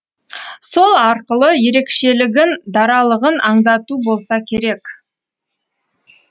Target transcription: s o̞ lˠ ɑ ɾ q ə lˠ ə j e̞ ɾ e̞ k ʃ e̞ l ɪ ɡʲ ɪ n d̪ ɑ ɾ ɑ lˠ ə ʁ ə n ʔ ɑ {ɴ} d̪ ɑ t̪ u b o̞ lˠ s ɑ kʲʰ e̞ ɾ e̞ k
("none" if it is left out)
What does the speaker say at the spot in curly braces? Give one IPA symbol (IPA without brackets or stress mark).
ɴ